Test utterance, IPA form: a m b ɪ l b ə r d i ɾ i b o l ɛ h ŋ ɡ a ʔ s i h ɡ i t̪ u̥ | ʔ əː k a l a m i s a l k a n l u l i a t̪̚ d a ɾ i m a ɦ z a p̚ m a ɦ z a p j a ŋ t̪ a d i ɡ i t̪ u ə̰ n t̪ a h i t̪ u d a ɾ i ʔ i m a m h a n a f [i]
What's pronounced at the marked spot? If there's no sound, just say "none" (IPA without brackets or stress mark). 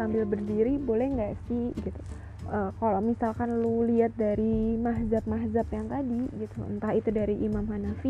i